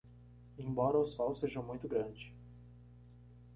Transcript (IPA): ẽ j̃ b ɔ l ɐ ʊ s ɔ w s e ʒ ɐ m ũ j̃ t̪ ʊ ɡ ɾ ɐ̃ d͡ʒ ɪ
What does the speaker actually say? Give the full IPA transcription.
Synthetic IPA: ẽ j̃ b ɔ ɾ ɐ ʊ s ɔ w s e ʒ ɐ m ũ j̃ t̪ ʊ ɡ ɾ ɐ̃ d͡ʒ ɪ